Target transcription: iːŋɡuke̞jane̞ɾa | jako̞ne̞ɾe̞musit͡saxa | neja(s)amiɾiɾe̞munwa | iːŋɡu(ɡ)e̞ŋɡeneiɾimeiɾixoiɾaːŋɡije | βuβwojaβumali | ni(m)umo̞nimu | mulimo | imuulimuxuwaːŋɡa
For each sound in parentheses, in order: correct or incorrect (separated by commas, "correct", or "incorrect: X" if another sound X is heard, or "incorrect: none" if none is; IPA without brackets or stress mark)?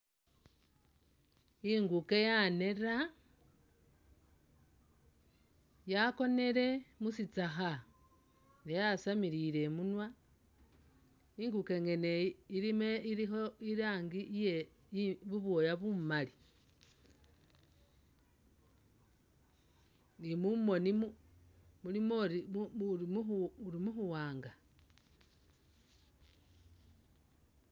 correct, incorrect: k, correct